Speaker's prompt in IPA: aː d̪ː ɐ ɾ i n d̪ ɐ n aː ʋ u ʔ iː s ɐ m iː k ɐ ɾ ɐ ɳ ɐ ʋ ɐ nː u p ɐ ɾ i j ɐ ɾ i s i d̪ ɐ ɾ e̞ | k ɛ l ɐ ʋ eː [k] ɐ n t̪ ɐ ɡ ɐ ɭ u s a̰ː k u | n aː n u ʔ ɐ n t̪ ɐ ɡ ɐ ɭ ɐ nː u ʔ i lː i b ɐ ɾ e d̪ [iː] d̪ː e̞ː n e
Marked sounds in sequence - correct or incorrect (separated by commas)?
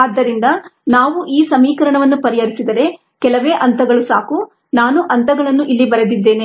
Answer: incorrect, incorrect